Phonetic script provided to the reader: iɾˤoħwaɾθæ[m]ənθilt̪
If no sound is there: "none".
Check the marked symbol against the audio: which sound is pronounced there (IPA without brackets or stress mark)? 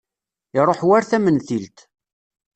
m